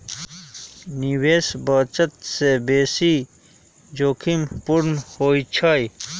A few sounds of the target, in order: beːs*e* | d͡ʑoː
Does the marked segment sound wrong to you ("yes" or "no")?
yes